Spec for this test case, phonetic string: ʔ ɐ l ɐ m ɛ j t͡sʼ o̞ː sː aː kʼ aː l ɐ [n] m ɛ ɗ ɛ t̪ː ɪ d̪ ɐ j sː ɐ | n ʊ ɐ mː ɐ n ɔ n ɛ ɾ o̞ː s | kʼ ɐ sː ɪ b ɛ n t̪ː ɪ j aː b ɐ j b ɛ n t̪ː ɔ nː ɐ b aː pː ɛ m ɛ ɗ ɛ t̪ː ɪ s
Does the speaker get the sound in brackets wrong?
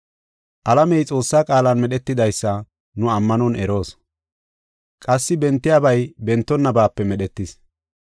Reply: no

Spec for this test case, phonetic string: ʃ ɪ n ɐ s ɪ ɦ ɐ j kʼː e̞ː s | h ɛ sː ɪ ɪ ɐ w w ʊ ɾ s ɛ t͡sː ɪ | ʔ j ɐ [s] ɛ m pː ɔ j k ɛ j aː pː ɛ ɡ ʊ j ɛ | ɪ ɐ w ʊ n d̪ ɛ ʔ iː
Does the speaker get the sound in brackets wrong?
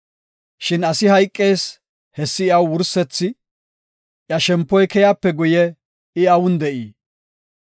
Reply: yes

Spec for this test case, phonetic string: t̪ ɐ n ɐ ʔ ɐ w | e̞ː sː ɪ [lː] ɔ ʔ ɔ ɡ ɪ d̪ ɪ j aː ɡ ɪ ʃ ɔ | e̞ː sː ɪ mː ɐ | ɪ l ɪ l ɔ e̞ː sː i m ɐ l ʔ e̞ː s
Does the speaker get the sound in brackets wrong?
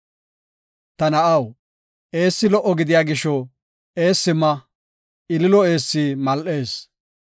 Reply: yes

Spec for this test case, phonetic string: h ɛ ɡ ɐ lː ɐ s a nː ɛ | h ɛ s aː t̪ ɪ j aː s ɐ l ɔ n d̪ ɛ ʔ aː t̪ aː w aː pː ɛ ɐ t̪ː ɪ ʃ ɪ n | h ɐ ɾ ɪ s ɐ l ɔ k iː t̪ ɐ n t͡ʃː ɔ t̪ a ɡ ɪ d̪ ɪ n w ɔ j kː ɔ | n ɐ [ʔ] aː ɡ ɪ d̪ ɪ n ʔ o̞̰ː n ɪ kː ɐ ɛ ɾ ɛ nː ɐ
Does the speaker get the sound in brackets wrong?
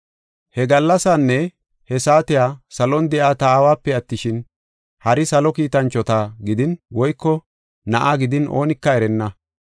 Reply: no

